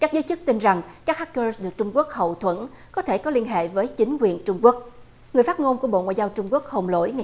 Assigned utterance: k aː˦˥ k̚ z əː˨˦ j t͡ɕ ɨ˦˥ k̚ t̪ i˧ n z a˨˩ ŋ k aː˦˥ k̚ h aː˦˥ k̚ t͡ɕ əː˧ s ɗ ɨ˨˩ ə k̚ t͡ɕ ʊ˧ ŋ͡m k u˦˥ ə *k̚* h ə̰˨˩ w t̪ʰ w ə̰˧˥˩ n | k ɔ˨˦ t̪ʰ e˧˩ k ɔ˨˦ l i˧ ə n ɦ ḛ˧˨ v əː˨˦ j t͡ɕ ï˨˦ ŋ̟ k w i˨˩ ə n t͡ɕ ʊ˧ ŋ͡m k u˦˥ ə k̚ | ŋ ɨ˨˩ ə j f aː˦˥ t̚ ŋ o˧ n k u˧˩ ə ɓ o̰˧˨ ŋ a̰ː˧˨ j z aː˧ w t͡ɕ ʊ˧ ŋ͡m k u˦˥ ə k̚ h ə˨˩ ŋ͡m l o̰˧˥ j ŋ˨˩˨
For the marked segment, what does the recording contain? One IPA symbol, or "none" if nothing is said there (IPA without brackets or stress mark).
k̚